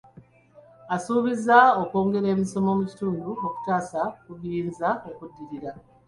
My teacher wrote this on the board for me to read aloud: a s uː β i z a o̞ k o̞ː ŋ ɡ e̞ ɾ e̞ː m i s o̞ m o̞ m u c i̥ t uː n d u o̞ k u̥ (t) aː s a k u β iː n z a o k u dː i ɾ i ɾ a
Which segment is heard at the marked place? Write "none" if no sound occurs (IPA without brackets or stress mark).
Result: t